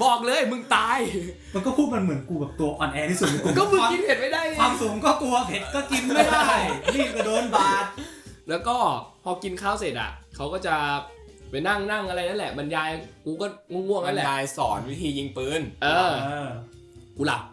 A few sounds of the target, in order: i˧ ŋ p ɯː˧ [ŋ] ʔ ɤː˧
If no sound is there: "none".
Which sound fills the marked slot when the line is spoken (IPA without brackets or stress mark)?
n